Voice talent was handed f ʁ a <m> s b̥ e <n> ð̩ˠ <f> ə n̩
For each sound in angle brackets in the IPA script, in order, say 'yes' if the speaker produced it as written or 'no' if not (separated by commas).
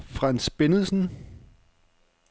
no, yes, no